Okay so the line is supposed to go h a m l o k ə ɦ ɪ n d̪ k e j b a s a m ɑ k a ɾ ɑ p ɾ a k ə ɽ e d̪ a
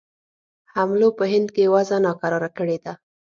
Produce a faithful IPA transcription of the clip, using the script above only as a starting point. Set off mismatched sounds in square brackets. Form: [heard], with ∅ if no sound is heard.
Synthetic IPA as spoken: h a m l o [p] ə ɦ ɪ n d̪ k e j [w] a [z] a [n] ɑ k a ɾ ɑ [∅] ɾ a k ə ɽ e d̪ a